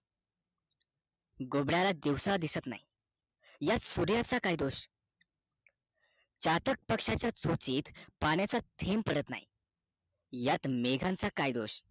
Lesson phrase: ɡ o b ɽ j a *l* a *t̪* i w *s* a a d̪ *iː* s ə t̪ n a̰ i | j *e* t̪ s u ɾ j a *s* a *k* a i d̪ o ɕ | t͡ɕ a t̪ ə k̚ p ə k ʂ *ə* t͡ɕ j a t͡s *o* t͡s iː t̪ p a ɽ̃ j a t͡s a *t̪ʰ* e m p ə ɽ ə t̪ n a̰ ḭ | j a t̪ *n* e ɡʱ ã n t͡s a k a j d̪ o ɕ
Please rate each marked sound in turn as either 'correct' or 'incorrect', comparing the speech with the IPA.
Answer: correct, incorrect, correct, incorrect, incorrect, incorrect, correct, incorrect, correct, correct, incorrect

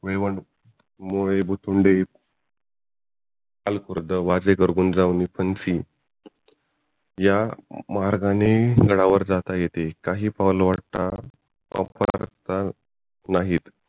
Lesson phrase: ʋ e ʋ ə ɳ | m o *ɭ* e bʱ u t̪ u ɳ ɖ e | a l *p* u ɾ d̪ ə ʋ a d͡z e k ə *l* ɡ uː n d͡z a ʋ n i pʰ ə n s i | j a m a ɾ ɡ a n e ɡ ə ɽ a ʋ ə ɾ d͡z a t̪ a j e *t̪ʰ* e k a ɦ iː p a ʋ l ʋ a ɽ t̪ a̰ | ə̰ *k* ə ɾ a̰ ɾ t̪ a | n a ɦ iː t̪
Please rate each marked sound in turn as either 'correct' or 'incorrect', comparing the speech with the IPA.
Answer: correct, incorrect, incorrect, incorrect, incorrect

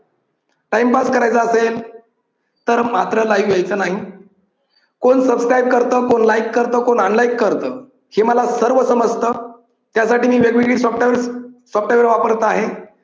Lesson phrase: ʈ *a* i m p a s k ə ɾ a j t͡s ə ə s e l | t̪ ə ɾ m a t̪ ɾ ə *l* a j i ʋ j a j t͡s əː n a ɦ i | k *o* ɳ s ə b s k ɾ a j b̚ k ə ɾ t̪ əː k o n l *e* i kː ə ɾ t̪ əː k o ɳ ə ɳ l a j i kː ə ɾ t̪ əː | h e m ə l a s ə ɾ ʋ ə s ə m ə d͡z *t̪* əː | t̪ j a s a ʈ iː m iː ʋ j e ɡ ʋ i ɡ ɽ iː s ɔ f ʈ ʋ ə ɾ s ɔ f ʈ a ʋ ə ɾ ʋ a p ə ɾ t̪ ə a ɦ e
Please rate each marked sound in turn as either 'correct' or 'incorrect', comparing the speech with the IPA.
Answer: correct, correct, correct, incorrect, correct

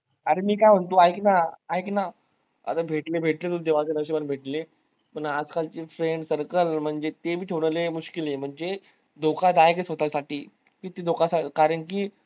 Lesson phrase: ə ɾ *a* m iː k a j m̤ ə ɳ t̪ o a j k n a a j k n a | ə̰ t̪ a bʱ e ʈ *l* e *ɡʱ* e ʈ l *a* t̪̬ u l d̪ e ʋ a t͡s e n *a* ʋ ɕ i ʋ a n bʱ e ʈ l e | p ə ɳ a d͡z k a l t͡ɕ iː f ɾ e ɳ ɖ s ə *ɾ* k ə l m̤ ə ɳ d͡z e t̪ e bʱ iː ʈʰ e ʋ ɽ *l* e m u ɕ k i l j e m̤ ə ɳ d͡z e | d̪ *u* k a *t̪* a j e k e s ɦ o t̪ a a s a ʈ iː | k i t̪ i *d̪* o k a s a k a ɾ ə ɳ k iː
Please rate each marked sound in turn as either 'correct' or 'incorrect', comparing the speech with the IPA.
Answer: incorrect, correct, incorrect, incorrect, incorrect, correct, correct, incorrect, incorrect, correct

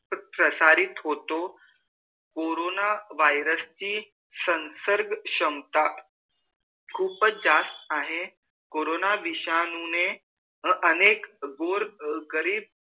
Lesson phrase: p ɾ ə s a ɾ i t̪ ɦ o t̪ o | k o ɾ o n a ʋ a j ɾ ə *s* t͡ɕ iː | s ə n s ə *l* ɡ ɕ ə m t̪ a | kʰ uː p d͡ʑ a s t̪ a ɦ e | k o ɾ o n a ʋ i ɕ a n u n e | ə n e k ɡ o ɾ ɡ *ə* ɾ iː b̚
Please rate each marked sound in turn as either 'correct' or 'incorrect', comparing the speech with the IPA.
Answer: correct, incorrect, correct

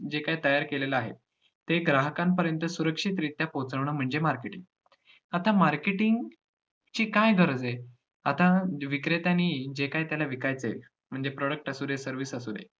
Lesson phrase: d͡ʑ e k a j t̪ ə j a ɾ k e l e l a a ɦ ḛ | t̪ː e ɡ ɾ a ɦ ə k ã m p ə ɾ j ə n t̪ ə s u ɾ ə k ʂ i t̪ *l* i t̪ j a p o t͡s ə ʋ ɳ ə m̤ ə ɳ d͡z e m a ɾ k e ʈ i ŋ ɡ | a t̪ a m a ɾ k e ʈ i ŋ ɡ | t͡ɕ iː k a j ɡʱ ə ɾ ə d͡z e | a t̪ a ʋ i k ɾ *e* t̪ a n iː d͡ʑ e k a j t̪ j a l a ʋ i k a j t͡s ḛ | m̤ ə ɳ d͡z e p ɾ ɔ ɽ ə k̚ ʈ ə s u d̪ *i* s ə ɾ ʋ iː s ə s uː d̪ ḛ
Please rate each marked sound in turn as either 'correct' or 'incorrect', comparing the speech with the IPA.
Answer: incorrect, correct, incorrect

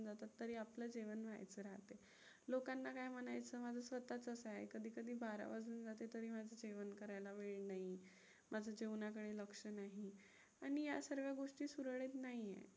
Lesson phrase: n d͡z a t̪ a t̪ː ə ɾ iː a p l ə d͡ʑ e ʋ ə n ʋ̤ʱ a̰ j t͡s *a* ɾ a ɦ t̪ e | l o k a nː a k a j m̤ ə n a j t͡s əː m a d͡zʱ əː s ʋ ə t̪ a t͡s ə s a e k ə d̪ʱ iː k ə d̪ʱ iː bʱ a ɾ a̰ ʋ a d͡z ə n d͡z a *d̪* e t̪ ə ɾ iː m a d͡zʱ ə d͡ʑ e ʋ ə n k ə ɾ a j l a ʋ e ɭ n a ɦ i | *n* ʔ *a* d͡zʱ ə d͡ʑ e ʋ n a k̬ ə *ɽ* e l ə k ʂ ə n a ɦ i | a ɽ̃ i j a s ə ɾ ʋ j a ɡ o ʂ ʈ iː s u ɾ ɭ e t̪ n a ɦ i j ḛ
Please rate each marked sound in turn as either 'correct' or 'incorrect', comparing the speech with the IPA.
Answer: incorrect, incorrect, incorrect, correct, correct

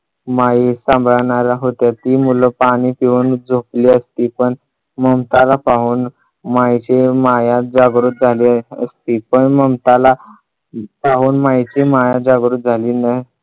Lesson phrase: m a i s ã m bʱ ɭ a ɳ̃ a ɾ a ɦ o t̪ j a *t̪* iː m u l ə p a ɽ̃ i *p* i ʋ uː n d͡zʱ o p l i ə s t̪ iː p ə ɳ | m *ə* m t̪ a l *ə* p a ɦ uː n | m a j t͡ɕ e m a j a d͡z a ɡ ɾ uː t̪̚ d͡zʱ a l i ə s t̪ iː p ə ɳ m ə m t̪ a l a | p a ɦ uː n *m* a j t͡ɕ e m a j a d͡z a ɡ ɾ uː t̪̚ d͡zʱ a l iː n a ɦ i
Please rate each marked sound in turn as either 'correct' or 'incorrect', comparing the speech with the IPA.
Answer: correct, correct, correct, incorrect, correct

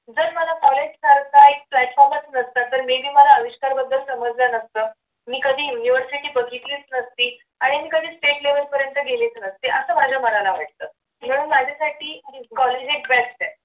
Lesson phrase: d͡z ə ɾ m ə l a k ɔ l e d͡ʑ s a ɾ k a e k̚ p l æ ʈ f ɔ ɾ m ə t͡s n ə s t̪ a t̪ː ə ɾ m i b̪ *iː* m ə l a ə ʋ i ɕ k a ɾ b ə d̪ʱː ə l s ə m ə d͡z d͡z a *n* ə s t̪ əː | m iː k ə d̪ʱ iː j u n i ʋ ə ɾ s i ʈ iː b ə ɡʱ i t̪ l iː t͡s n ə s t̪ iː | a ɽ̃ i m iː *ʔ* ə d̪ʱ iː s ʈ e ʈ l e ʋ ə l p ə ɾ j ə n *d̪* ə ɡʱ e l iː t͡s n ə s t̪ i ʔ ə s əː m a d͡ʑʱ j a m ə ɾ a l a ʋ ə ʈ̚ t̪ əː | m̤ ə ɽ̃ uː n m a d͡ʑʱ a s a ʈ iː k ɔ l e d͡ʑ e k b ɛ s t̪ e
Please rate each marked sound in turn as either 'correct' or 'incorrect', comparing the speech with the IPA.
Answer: correct, correct, incorrect, incorrect

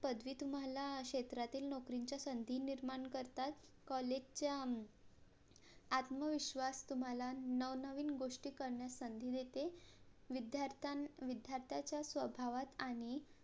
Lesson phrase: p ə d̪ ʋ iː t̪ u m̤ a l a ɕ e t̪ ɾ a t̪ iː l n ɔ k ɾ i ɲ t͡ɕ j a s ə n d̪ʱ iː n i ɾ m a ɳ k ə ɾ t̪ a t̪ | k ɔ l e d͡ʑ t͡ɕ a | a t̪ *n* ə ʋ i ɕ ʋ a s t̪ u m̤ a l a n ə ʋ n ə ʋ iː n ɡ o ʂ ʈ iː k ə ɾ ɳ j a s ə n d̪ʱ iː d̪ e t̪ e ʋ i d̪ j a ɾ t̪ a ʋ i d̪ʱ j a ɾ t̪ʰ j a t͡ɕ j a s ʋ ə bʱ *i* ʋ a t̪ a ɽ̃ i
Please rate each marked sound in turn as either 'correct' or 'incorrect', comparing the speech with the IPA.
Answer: incorrect, incorrect

